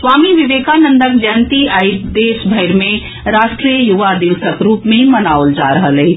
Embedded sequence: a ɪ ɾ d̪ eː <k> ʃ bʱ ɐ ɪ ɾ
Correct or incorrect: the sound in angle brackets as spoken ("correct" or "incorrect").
incorrect